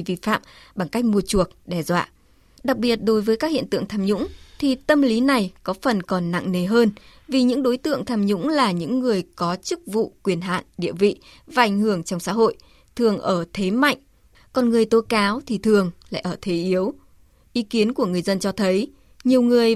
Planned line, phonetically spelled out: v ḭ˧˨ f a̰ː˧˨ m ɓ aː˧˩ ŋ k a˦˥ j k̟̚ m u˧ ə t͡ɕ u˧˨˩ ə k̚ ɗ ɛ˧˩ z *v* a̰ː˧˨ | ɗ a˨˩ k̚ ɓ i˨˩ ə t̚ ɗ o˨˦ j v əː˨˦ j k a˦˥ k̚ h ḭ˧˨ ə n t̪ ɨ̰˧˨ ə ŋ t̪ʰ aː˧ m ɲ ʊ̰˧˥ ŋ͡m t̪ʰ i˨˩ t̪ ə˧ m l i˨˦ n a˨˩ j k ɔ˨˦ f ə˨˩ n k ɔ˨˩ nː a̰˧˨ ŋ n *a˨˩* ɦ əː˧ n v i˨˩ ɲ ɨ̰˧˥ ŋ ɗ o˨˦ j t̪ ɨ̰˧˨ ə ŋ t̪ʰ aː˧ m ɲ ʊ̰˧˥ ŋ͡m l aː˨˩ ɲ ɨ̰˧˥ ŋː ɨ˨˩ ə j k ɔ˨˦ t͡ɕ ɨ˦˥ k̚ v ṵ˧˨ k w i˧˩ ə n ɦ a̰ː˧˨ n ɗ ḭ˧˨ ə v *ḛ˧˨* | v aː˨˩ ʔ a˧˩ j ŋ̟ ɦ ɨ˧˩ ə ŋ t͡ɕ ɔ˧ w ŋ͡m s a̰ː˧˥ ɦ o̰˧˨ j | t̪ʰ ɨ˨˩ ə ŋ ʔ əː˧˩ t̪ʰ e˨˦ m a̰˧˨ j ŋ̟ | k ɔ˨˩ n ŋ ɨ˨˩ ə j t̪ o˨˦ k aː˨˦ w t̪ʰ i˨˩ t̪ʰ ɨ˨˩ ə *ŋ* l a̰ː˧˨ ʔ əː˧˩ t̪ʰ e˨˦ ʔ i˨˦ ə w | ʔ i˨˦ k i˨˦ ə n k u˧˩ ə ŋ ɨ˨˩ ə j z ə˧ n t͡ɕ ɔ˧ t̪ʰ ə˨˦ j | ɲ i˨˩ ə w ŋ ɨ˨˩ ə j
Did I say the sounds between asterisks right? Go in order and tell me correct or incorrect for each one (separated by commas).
incorrect, incorrect, incorrect, correct